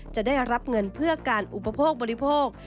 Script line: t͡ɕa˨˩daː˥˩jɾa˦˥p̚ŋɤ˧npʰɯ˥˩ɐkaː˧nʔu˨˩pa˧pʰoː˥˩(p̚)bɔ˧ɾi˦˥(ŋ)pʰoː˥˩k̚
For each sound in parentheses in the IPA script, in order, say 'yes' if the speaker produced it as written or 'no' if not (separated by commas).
no, no